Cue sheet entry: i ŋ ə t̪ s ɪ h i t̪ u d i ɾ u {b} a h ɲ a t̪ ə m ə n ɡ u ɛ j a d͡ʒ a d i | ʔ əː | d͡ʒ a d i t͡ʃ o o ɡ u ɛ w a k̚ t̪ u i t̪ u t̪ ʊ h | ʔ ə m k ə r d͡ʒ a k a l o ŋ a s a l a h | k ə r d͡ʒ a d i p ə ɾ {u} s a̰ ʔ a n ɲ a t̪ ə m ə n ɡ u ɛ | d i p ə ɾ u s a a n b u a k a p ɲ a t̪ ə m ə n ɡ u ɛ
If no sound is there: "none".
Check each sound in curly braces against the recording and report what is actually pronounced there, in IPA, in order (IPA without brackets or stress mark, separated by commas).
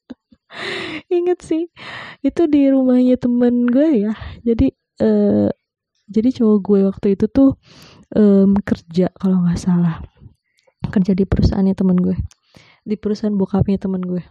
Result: m, u